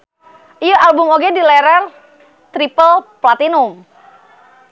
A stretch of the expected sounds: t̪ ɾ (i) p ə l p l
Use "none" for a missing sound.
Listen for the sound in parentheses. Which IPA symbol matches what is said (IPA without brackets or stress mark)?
i